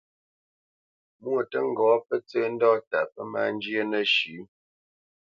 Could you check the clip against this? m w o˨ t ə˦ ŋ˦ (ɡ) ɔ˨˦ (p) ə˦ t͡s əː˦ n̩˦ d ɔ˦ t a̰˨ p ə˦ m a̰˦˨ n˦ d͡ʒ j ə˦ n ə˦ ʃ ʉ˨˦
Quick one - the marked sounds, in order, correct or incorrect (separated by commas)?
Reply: correct, correct